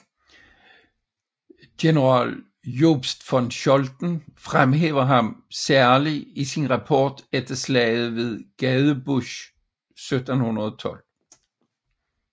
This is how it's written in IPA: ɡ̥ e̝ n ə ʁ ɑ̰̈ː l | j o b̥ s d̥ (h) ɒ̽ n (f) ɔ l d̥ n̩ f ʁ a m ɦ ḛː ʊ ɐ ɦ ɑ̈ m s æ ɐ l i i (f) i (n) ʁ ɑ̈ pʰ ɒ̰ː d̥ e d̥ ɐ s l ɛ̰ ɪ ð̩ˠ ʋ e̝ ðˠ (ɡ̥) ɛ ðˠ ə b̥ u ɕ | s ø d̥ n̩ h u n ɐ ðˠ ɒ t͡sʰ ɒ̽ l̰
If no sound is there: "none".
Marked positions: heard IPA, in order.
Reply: f, ɕ, s, n, ɡ̥

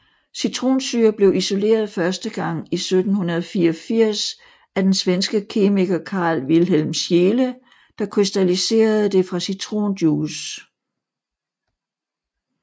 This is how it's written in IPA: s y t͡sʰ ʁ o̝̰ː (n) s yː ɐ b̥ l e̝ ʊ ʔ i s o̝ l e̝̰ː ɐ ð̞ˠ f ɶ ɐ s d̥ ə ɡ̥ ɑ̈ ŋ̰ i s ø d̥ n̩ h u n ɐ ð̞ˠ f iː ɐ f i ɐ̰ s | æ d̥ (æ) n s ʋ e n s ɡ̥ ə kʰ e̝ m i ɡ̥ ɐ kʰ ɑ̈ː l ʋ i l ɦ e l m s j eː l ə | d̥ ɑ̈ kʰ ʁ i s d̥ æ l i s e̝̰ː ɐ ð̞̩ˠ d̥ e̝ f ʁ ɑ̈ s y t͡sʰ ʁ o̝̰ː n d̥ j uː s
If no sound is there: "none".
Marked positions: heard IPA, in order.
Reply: n, e

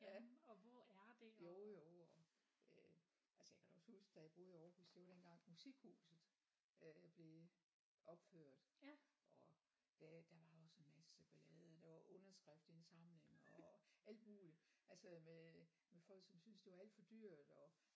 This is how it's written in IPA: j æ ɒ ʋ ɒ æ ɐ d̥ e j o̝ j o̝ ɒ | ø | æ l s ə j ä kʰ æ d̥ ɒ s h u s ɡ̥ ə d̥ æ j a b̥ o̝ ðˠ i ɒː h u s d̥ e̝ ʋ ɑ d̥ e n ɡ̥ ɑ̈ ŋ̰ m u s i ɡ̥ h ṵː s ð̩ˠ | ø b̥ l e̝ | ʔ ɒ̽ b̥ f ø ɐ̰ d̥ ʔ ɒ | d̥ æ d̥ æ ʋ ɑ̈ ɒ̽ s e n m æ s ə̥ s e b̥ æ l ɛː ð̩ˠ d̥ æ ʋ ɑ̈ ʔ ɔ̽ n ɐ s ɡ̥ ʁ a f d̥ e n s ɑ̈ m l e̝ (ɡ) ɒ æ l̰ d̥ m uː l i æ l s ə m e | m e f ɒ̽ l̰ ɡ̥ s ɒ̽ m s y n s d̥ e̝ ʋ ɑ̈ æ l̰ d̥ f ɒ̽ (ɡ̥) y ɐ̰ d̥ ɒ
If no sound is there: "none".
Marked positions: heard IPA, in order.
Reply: ŋ, d̥

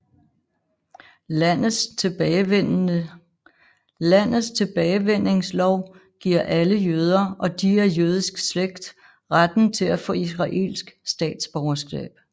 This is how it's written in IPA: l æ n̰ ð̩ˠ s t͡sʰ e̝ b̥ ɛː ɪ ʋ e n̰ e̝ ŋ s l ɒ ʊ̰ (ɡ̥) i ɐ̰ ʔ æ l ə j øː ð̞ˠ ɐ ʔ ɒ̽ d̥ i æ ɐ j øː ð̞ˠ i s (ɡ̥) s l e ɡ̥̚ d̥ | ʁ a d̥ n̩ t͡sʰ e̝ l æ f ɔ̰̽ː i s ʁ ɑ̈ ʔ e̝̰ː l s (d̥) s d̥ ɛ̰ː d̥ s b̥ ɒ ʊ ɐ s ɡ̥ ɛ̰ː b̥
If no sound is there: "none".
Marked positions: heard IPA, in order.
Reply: ɡ̥, ɡ̥, ɡ̥

